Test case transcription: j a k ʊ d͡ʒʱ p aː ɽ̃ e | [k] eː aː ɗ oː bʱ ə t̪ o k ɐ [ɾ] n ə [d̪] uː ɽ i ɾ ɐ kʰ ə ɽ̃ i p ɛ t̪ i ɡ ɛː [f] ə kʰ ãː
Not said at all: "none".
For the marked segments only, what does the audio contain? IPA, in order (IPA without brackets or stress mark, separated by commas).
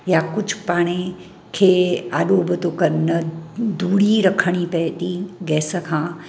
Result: kʰ, ɾ, d̪, s